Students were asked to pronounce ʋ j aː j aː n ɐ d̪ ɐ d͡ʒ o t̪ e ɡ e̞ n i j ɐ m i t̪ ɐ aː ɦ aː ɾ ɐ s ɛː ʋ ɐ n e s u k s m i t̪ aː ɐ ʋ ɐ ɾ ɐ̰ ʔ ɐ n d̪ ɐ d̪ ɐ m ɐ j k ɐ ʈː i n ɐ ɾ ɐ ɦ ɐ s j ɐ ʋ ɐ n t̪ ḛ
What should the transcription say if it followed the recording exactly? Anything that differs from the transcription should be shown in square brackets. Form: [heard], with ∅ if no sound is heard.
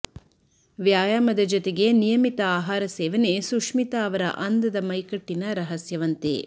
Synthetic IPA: ʋ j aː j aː [m] ɐ d̪ ɐ d͡ʒ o t̪ e ɡ e̞ n i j ɐ m i t̪ ɐ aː ɦ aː ɾ ɐ s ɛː ʋ ɐ n e s u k [ʂ] m i t̪ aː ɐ ʋ ɐ ɾ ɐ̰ ʔ ɐ n d̪ ɐ d̪ ɐ m ɐ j k ɐ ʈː i n ɐ ɾ ɐ ɦ ɐ s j ɐ ʋ ɐ n t̪ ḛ